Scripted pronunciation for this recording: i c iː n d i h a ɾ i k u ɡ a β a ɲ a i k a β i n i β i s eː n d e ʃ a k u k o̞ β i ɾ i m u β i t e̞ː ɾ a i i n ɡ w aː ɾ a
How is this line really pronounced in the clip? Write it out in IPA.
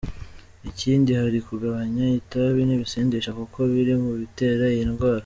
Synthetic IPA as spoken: i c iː n d i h a ɾ i k u ɡ a β a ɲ a i t a β i n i β i s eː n d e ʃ a k u k o̞ β i ɾ i m u β i t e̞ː ɾ a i i n ɡ w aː ɾ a